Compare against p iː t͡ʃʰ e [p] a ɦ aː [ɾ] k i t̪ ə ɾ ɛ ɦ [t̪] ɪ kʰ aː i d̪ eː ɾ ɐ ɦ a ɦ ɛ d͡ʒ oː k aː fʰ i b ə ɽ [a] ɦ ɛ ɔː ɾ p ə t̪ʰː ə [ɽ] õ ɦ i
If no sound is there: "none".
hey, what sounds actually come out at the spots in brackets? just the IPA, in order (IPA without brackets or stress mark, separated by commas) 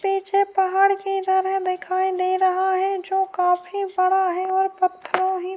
p, ɽ, d̪, a, ɾ